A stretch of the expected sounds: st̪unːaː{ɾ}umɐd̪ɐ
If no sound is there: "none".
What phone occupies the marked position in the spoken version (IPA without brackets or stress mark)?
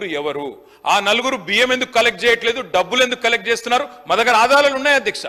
ɾ